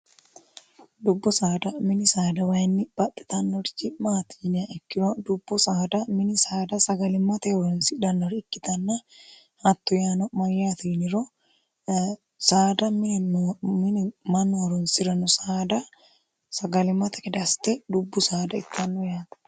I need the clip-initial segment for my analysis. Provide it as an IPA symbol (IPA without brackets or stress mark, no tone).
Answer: d̪